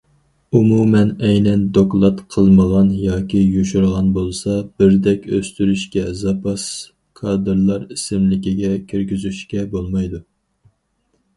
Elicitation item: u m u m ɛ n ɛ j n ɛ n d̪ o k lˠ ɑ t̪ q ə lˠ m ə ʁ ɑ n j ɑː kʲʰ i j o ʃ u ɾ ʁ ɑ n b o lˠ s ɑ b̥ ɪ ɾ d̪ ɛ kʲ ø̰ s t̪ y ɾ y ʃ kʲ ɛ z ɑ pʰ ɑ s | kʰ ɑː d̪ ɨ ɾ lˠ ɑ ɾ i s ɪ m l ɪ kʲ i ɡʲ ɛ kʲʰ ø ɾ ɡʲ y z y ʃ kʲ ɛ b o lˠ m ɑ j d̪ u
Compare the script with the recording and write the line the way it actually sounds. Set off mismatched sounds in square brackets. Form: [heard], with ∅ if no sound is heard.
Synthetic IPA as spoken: u m u m ɛ n ɛ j n ɛ n d̪ o k lˠ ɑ t̪ [qʰ] ə lˠ m ə ʁ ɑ n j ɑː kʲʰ i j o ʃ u ɾ ʁ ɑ n b o lˠ s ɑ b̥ ɪ ɾ d̪ ɛ kʲ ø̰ s t̪ y ɾ y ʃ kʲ ɛ z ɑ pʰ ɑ s | kʰ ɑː d̪ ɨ ɾ lˠ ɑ ɾ i s ɪ m l ɪ kʲ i ɡʲ ɛ kʲʰ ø ɾ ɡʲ y z y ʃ kʲ ɛ b o lˠ m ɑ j d̪ u